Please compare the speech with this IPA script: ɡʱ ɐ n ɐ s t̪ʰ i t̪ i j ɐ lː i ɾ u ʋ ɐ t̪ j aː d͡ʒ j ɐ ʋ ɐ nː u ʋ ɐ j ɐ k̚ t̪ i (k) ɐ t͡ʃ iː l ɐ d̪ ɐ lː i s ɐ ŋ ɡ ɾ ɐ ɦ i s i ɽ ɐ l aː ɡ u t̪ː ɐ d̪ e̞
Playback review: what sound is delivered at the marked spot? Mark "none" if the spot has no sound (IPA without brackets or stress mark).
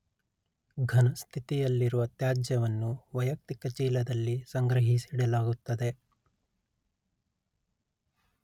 k